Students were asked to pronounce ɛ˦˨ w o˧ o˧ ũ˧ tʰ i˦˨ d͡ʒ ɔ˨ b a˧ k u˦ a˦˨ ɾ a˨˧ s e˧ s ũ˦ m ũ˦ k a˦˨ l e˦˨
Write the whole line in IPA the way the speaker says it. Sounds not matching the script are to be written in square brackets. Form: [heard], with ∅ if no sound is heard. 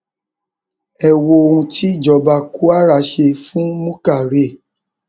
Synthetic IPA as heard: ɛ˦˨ w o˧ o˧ ũ˧ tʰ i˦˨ d͡ʒ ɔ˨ b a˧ k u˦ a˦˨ ɾ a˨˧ [ʃ] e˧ [f] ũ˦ m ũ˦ k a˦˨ [ɾ] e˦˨